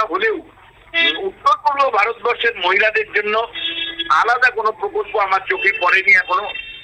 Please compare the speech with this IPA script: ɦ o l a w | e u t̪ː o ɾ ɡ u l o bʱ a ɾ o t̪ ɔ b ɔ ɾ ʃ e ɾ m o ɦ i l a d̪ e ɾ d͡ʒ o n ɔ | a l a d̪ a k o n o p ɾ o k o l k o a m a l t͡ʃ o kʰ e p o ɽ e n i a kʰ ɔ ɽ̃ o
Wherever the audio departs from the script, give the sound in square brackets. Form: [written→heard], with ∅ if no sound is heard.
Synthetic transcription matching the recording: ɦ o l [a→e] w | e u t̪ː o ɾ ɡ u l o bʱ a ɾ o t̪ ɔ b ɔ ɾ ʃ e ɾ m o ɦ i l a d̪ e ɾ d͡ʒ o [n→nː] ɔ | a l a d̪ a k o n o p ɾ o k o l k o a m a [l→ɾ] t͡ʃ o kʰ e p [o→ɔ] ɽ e n i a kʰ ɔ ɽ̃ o